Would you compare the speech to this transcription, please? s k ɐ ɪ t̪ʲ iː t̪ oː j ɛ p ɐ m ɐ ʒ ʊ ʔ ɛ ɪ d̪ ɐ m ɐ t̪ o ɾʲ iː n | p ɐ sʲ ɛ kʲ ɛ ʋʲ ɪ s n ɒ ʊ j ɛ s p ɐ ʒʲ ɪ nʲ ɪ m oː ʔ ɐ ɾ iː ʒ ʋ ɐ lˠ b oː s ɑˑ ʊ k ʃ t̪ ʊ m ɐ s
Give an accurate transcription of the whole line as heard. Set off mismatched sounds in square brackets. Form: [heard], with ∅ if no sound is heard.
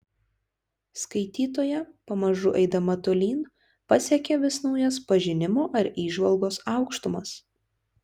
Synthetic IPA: s k ɐ ɪ t̪ʲ iː t̪ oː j ɛ p ɐ m ɐ ʒ ʊ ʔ ɛ ɪ d̪ ɐ m ɐ t̪ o [lʲ] iː n | p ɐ sʲ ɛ kʲ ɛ ʋʲ ɪ s n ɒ ʊ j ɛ s p ɐ ʒʲ ɪ nʲ ɪ m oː ʔ ɐ ɾ iː ʒ ʋ ɐ lˠ [ɡ] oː s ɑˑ ʊ k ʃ t̪ ʊ m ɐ s

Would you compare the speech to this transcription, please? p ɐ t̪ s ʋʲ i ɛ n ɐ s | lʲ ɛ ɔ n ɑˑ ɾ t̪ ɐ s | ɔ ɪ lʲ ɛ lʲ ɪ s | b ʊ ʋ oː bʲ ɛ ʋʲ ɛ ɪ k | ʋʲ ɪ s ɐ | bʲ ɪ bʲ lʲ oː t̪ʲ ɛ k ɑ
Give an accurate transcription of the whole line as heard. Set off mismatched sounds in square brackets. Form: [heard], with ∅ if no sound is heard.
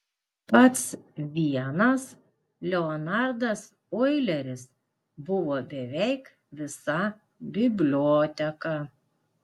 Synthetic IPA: p ɐ t̪ s ʋʲ i ɛ n ɐ s | lʲ ɛ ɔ n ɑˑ ɾ [d̪] ɐ s | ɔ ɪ lʲ ɛ [ɾʲ] ɪ s | b ʊ ʋ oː bʲ ɛ ʋʲ ɛ ɪ k | ʋʲ ɪ s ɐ | bʲ ɪ bʲ lʲ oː t̪ʲ ɛ k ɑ

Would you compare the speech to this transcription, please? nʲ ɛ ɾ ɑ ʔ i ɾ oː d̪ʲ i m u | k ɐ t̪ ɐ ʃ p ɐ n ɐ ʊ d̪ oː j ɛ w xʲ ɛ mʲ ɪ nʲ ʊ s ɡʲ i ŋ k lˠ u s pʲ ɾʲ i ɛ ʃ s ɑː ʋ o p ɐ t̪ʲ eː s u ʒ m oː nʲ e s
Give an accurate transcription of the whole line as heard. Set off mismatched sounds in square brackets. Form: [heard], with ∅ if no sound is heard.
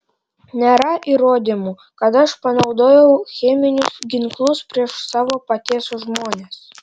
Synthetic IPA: nʲ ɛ ɾ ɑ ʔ i ɾ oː d̪ʲ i m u | k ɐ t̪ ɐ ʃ p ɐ n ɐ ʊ d̪ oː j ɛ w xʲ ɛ mʲ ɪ nʲ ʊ s ɡʲ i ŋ k lˠ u s pʲ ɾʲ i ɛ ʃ s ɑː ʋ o p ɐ t̪ʲ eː s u ʒ m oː nʲ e s

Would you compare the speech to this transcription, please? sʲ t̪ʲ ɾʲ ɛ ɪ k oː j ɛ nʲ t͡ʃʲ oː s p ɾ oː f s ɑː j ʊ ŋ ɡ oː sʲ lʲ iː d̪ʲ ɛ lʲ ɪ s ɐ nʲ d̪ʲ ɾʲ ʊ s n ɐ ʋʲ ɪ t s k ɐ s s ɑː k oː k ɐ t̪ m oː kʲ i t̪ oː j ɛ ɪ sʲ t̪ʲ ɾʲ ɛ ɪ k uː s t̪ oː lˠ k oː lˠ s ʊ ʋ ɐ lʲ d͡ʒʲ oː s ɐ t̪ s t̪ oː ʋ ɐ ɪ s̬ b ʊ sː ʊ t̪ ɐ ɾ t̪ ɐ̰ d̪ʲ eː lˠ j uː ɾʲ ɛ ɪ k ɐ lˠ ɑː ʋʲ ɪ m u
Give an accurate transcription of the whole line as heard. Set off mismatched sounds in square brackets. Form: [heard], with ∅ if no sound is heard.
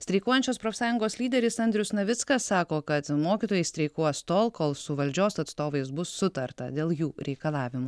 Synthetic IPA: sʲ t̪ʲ ɾʲ ɛ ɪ k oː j ɛ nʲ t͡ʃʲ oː s p ɾ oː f s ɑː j ʊ ŋ ɡ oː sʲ lʲ iː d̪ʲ ɛ [ɾʲ] ɪ s ɐ nʲ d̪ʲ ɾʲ ʊ s n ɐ ʋʲ ɪ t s k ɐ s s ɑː k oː k ɐ t̪ m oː kʲ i t̪ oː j ɛ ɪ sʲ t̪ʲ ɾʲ ɛ ɪ k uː s t̪ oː lˠ k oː lˠ s ʊ ʋ ɐ lʲ d͡ʒʲ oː s ɐ t̪ s t̪ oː ʋ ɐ ɪ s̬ b ʊ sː ʊ t̪ ɐ ɾ t̪ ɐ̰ d̪ʲ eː lˠ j uː ɾʲ ɛ ɪ k ɐ lˠ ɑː ʋʲ ɪ m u

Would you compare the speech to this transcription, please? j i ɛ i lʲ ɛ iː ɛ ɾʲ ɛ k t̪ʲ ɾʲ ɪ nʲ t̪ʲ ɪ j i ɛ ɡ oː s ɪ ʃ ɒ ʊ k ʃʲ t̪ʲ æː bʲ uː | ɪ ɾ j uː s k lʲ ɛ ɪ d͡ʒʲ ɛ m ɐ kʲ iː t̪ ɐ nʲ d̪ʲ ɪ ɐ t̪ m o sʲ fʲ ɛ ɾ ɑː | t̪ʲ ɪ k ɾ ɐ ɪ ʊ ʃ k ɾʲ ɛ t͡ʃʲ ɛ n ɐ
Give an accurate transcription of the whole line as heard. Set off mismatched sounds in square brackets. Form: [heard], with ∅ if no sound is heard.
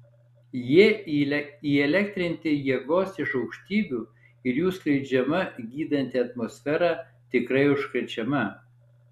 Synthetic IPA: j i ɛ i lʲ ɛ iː ɛ [lʲ] ɛ k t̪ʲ ɾʲ ɪ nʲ t̪ʲ ɪ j i ɛ ɡ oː s ɪ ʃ ɒ ʊ k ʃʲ t̪ʲ [iː] bʲ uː | ɪ ɾ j uː s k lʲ ɛ ɪ d͡ʒʲ ɛ m ɐ [ɡʲ] iː [d̪] ɐ nʲ [t̪ʲ] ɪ ɐ t̪ m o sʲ fʲ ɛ ɾ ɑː | t̪ʲ ɪ k ɾ ɐ ɪ ʊ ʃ k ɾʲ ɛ t͡ʃʲ ɛ [m] ɐ

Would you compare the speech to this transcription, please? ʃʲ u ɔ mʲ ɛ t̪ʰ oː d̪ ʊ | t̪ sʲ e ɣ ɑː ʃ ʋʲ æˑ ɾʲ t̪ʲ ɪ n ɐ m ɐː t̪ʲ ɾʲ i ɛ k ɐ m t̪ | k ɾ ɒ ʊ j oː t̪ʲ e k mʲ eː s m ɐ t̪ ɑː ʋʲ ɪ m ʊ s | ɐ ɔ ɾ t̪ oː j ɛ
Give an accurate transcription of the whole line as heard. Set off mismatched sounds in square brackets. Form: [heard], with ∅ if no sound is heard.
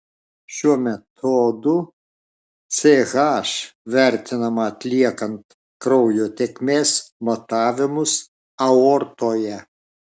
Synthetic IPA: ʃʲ u ɔ mʲ ɛ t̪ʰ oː d̪ ʊ | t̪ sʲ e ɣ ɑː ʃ ʋʲ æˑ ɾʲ t̪ʲ ɪ n ɐ m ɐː t̪ʲ [lʲ] i ɛ k ɐ [n] t̪ | k ɾ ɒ ʊ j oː t̪ʲ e k mʲ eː s m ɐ t̪ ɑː ʋʲ ɪ m ʊ s | ɐ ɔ ɾ t̪ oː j ɛ

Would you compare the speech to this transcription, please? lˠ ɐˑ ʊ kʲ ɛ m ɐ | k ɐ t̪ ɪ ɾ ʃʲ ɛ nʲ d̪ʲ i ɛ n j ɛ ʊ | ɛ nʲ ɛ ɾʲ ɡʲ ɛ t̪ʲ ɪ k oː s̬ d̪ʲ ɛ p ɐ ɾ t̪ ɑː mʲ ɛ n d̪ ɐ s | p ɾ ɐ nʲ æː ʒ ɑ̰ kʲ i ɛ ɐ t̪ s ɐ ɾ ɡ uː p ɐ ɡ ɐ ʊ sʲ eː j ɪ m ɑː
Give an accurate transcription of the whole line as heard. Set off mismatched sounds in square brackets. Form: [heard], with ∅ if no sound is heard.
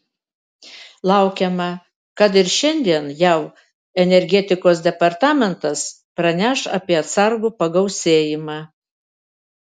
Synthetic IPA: lˠ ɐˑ ʊ kʲ ɛ m ɐ | k ɐ t̪ ɪ ɾ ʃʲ ɛ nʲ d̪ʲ i ɛ n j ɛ ʊ | ɛ nʲ ɛ ɾʲ ɡʲ ɛ t̪ʲ ɪ k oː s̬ d̪ʲ ɛ p ɐ ɾ t̪ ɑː mʲ ɛ n [t̪] ɐ s | p ɾ ɐ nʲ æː [ʃ] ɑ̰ [pʲ] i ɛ ɐ t̪ s ɐ ɾ ɡ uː p ɐ ɡ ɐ ʊ sʲ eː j ɪ m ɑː

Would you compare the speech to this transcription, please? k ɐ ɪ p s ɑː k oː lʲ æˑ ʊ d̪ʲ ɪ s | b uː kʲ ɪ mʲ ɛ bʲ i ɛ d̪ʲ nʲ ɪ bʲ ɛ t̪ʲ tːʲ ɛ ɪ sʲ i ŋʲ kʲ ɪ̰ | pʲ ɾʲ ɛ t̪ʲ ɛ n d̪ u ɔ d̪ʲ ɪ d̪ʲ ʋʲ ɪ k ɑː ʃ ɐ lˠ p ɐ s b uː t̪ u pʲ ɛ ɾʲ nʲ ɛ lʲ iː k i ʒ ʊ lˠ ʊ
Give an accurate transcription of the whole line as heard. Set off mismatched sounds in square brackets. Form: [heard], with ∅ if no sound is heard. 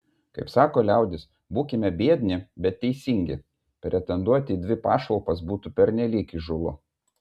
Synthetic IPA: k ɐ ɪ p s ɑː k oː lʲ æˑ ʊ d̪ʲ ɪ s | b uː kʲ ɪ mʲ ɛ bʲ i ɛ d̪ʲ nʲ ɪ bʲ ɛ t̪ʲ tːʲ ɛ ɪ sʲ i ŋʲ [ɡʲ] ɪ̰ | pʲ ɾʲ ɛ t̪ʲ ɛ n d̪ u ɔ [t̪ʲ] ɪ d̪ʲ ʋʲ ɪ [p] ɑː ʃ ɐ lˠ p ɐ s b uː t̪ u pʲ ɛ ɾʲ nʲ ɛ lʲ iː k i ʒ ʊ lˠ ʊ

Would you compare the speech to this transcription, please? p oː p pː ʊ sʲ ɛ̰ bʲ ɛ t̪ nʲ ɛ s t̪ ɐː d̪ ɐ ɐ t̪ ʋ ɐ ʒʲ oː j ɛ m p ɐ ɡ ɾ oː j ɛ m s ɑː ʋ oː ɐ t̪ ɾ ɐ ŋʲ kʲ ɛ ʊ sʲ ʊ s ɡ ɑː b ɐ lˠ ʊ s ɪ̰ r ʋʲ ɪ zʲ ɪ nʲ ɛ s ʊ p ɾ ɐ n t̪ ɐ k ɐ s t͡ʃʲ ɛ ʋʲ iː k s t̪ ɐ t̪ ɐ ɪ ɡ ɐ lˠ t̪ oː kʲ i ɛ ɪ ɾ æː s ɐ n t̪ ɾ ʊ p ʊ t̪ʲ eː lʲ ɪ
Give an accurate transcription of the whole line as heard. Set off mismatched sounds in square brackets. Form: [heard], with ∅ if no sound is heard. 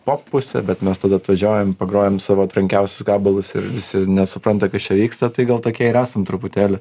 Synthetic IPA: p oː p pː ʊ sʲ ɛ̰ bʲ ɛ t̪ [mʲ] ɛ s t̪ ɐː d̪ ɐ ɐ t̪ ʋ ɐ ʒʲ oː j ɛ m p ɐ ɡ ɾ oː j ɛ m s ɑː ʋ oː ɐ t̪ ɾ ɐ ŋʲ kʲ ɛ ʊ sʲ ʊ s ɡ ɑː b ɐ lˠ ʊ s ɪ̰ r ʋʲ ɪ [sʲ] ɪ nʲ ɛ s ʊ p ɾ ɐ n t̪ ɐ k ɐ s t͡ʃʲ ɛ ʋʲ iː k s t̪ ɐ t̪ ɐ ɪ ɡ ɐ lˠ t̪ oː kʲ i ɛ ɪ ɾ æː s ɐ [m] t̪ ɾ ʊ p ʊ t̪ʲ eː lʲ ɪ

